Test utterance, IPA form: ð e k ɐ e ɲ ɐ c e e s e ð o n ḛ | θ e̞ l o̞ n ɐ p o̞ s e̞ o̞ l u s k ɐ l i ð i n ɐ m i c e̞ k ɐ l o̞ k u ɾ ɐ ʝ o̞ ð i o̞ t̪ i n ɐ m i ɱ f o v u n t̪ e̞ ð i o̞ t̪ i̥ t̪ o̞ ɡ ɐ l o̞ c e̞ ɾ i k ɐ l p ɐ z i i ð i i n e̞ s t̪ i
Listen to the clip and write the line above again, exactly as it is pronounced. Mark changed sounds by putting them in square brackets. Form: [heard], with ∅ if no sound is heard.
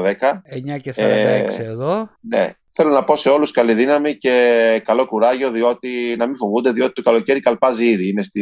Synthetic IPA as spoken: ð e k ɐ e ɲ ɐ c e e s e ð o n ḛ | θ e̞ l o̞ n ɐ p o̞ s e̞ o̞ l u s k ɐ l i ð i n ɐ m i c e̞ k ɐ l o̞ k u ɾ ɐ ʝ o̞ ð i o̞ t̪ i n ɐ m i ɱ f o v u n [d̪] e̞ ð i o̞ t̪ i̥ t̪ o̞ [k] ɐ l o̞ c e̞ ɾ i k ɐ l p ɐ z i i ð i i n e̞ s t̪ i